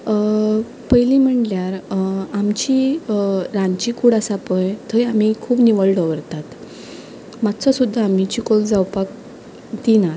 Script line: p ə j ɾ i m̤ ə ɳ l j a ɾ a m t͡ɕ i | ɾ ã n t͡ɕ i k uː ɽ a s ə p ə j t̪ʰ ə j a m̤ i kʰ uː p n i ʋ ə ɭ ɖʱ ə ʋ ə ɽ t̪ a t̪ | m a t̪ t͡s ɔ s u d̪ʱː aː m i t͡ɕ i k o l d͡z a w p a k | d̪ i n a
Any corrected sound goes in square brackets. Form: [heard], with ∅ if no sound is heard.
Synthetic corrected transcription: p ə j [l] i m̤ ə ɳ l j a ɾ a m t͡ɕ i | ɾ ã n t͡ɕ i k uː ɽ a s [a] p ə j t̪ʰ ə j a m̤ i kʰ uː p n i ʋ ə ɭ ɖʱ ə ʋ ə [ɾ] t̪ a t̪ | m a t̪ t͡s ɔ s u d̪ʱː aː m i t͡ɕ i k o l d͡z a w p a k | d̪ i n a